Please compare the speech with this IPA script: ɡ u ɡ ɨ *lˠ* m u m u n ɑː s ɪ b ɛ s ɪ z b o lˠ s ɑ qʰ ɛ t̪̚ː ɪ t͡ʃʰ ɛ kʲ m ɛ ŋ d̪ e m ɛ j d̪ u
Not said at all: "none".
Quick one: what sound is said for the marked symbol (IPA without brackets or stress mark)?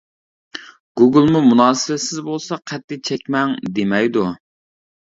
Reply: lˠ